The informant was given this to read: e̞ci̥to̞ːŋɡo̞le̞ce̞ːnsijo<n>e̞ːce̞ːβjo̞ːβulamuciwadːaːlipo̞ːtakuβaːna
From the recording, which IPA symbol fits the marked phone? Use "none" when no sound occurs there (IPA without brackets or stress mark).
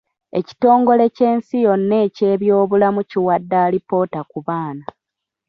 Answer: nː